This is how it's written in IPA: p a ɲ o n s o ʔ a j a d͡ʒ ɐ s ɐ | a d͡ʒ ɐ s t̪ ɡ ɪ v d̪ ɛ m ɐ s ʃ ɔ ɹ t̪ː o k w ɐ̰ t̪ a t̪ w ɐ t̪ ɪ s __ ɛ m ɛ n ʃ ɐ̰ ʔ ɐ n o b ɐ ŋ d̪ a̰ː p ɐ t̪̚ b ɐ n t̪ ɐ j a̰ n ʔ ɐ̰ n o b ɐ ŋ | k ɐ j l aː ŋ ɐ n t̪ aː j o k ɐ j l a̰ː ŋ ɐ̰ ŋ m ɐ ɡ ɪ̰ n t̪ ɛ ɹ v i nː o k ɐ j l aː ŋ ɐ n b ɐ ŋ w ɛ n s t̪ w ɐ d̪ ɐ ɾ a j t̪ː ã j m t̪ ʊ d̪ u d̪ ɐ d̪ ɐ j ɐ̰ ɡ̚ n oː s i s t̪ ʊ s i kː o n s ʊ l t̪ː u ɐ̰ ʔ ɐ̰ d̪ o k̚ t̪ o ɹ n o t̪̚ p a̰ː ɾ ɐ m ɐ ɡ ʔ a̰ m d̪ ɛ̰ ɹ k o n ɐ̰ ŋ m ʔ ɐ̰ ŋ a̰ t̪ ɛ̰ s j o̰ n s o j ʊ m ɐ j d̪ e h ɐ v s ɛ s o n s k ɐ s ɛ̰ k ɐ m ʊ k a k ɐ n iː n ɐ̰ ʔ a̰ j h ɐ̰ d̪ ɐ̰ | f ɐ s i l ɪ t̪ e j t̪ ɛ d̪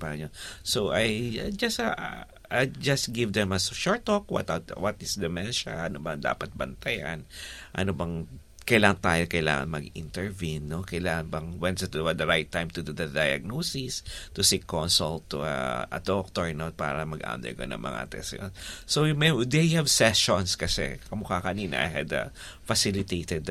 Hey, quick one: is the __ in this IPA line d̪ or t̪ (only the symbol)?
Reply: d̪